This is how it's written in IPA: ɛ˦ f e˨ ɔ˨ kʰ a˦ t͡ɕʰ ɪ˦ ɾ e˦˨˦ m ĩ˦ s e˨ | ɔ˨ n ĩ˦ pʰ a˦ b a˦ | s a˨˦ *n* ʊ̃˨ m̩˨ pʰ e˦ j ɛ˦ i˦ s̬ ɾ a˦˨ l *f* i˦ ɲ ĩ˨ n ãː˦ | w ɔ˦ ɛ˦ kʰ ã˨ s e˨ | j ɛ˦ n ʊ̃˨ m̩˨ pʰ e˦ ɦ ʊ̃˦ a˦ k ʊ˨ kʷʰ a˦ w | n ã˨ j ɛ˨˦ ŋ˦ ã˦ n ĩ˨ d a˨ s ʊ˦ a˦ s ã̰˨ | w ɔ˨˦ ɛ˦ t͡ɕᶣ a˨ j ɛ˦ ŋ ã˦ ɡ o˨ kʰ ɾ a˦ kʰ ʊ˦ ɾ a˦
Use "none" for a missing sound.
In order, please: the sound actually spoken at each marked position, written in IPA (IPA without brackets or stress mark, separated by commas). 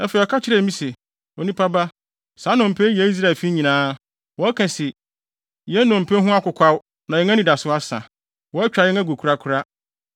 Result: n, f